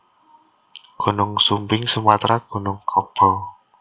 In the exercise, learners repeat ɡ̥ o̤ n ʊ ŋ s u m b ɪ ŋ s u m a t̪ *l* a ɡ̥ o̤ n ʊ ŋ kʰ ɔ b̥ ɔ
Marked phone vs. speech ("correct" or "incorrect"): incorrect